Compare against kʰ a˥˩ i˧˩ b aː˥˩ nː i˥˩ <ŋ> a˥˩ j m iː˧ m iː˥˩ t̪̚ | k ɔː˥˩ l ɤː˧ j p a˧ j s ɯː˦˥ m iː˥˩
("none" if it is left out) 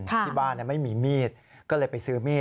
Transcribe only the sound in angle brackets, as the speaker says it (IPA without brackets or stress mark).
m